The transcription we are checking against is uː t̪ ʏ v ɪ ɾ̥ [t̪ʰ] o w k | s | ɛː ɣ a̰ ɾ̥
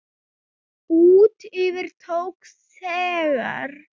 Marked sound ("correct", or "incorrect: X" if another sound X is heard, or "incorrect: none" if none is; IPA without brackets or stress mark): correct